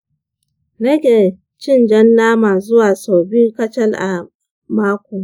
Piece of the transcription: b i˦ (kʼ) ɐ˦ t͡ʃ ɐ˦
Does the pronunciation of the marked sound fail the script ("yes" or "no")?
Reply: yes